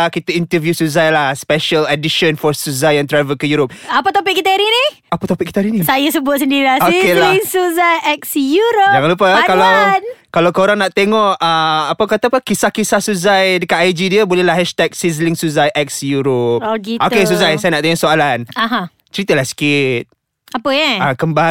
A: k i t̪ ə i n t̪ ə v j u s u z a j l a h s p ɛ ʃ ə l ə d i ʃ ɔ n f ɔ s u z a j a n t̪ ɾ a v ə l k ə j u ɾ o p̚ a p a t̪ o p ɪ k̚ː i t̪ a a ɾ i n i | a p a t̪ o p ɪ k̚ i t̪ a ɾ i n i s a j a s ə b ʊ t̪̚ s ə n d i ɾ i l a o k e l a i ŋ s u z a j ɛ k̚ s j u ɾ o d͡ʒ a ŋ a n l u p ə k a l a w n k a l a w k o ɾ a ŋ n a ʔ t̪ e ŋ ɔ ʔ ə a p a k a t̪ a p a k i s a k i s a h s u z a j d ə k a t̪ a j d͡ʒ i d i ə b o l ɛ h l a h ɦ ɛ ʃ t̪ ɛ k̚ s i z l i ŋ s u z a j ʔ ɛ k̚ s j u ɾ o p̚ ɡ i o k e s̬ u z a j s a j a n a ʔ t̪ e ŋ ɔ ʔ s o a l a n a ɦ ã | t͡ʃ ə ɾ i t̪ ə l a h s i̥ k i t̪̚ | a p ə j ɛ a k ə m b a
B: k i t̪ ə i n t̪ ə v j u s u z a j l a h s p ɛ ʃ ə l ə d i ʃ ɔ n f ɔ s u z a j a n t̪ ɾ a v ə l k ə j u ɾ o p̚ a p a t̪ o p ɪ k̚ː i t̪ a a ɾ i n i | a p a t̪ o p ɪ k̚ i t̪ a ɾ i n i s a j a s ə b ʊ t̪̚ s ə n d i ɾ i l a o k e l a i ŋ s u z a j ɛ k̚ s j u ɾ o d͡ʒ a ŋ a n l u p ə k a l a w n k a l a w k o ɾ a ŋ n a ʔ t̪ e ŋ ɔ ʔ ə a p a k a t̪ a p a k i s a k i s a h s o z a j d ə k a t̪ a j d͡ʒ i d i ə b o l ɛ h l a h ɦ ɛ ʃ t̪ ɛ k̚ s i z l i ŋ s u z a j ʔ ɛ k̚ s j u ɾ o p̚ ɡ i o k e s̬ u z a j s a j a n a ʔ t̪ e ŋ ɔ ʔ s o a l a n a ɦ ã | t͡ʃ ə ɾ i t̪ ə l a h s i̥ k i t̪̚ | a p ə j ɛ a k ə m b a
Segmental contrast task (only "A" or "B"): A